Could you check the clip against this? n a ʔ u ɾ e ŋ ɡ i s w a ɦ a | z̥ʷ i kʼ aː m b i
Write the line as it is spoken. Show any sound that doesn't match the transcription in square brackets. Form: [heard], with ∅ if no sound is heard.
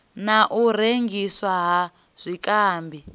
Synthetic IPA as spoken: n a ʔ u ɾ e ŋ ɡ i s w a ɦ a | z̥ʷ i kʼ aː m b i